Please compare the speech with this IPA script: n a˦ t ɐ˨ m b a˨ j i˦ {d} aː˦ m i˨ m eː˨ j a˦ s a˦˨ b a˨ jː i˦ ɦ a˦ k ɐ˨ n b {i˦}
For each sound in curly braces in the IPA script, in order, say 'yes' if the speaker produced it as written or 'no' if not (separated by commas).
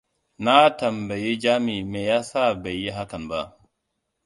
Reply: no, no